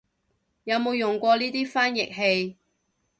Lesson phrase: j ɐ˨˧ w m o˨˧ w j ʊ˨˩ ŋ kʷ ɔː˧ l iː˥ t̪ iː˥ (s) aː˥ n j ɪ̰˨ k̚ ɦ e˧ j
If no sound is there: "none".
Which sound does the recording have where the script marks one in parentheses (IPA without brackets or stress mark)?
f